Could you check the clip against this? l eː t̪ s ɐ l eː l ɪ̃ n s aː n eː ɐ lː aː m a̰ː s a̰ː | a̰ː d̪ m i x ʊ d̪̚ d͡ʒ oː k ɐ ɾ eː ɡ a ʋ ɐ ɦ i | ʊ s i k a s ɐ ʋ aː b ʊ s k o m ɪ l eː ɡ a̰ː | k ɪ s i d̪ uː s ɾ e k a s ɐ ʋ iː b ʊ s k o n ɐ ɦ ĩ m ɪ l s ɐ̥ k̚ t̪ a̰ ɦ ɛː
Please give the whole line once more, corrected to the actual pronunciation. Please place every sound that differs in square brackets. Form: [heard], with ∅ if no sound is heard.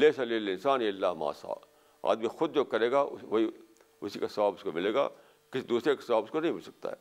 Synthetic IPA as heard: l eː [∅] s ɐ l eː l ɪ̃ n s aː n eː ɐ lː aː m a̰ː s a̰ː | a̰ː d̪ m i x ʊ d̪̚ d͡ʒ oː k ɐ ɾ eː ɡ a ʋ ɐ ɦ i | ʊ s i k a s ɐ ʋ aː b ʊ s k o m ɪ l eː ɡ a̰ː | k ɪ s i d̪ uː s ɾ e k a s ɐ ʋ [aː] b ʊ s k o n ɐ ɦ ĩ m ɪ l s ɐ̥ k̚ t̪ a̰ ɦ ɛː